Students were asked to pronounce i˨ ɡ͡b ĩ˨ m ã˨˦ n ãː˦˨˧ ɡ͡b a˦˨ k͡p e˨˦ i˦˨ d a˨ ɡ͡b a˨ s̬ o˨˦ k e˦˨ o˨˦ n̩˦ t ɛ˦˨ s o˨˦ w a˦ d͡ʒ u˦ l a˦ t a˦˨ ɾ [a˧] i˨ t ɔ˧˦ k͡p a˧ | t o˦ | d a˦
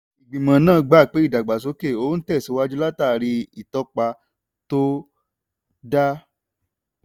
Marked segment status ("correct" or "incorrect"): incorrect